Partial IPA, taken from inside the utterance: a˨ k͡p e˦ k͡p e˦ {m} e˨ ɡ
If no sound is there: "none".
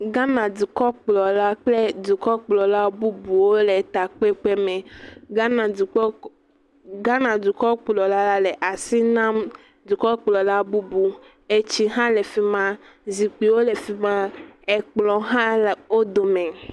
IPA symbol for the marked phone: m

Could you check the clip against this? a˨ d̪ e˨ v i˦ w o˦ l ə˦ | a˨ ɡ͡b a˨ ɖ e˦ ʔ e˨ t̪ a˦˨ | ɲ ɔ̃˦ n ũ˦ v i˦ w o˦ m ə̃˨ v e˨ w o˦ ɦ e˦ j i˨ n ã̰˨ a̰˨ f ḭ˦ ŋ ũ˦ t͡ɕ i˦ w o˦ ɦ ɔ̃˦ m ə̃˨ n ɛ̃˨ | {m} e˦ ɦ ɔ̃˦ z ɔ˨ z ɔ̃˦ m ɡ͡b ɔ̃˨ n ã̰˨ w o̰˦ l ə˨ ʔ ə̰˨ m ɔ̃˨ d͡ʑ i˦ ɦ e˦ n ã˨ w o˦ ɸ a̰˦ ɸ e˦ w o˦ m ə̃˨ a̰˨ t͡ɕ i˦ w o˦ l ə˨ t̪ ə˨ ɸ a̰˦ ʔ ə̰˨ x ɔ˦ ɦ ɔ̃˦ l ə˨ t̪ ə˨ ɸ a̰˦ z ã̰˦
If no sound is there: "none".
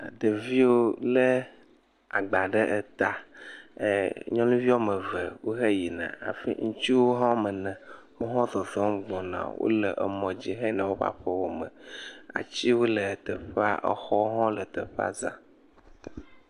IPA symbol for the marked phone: m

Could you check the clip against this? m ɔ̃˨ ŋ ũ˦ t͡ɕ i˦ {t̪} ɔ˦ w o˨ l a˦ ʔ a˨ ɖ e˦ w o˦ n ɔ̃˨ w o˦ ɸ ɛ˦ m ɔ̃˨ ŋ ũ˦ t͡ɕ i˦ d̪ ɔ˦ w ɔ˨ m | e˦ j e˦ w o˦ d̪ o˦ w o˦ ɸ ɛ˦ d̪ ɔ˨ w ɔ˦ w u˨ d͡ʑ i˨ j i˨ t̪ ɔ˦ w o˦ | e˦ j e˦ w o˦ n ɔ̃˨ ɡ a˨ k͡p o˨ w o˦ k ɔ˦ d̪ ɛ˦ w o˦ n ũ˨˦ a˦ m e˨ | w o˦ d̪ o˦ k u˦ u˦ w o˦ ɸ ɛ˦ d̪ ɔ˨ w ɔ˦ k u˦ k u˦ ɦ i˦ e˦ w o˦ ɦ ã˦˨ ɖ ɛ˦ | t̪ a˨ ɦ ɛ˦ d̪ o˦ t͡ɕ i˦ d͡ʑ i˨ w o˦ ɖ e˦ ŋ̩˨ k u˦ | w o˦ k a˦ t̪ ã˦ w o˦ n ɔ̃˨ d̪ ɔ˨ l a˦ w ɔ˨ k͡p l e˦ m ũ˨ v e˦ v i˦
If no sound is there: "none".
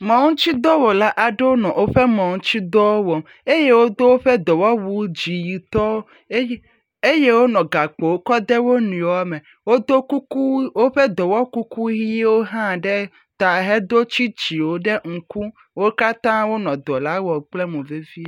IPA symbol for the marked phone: d̪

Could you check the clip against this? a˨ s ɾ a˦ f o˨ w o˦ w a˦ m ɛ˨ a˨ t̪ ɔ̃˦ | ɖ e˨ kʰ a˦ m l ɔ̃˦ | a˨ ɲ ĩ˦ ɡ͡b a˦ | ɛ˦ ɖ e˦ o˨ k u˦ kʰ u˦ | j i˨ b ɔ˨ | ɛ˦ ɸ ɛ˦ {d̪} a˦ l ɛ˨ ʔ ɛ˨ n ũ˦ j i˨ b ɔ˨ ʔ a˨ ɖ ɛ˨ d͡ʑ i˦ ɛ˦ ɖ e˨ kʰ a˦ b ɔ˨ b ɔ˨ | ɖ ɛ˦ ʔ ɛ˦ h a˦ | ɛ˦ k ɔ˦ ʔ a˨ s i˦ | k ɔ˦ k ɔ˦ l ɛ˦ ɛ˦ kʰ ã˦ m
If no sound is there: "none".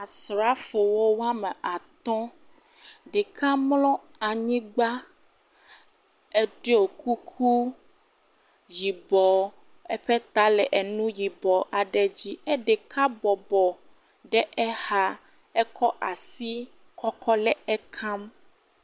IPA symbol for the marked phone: t̪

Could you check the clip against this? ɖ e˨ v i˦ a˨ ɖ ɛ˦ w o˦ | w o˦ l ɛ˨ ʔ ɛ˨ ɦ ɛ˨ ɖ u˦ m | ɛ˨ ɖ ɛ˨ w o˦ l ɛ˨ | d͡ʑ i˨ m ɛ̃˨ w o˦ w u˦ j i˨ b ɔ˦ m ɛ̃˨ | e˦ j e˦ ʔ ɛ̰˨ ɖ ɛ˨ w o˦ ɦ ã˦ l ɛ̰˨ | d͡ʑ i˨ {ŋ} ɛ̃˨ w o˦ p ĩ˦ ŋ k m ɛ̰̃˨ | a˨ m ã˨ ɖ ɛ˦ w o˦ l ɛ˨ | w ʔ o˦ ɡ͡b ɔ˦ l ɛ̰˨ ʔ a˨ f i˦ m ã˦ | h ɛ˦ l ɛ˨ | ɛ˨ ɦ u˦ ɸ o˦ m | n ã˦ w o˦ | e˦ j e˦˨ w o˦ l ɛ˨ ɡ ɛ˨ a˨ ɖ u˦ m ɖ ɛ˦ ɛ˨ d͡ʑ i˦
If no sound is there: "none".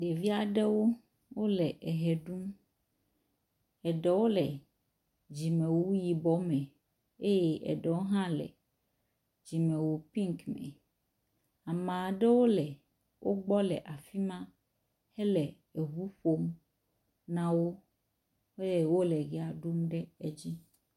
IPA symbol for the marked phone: m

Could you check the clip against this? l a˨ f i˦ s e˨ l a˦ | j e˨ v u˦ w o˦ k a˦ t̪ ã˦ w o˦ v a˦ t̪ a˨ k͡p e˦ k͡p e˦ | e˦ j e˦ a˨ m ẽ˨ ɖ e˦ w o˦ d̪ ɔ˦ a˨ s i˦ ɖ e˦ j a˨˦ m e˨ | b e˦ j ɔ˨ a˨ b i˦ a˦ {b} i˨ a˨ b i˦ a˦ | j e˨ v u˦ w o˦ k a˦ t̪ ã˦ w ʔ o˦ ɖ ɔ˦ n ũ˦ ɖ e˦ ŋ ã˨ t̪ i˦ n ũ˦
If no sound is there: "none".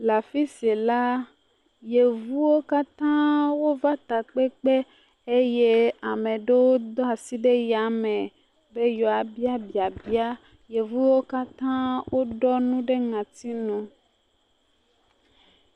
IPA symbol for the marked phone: b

